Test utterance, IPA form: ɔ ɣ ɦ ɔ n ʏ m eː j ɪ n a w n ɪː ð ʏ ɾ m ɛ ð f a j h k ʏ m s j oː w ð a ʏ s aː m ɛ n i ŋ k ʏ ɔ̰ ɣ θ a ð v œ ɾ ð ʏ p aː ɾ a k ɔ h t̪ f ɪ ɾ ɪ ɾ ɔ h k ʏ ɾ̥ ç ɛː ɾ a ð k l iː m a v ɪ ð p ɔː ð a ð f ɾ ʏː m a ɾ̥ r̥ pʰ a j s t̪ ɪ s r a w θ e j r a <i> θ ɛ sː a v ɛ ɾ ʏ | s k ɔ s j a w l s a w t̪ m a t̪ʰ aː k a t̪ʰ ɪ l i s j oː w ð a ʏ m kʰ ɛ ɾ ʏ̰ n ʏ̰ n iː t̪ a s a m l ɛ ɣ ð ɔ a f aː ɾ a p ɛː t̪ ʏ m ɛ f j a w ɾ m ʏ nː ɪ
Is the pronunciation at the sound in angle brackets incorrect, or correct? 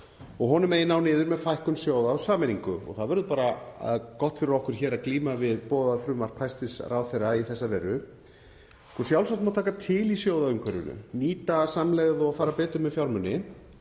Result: correct